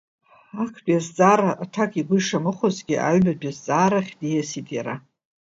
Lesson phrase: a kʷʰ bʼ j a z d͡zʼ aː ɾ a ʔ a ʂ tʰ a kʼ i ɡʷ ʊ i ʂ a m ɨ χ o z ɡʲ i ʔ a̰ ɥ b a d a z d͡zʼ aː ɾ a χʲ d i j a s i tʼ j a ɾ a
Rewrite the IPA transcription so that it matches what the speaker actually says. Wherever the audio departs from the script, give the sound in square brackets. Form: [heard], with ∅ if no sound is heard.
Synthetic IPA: a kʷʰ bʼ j a z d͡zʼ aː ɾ a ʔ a [∅] tʰ a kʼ i ɡʷ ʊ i ʂ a m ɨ χ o z ɡʲ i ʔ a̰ ɥ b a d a z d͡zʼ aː ɾ a χʲ d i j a s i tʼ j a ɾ a